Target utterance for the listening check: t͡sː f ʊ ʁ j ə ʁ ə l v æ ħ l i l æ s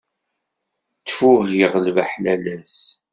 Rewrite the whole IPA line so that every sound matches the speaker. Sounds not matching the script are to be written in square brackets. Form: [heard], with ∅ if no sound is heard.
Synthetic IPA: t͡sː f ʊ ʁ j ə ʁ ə l v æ ħ l [æ] l æ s